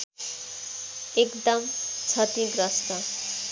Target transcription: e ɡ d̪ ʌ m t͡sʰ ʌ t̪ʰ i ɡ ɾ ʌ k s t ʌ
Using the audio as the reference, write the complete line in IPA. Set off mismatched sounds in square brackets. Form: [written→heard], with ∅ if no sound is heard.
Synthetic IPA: e [ɡ→k] d̪ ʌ m t͡sʰ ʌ [t̪ʰ→t̪] i ɡ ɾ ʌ [k→∅] s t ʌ